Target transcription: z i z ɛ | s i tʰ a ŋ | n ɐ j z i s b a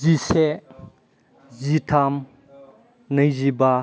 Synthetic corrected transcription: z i s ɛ | z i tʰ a m | n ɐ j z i b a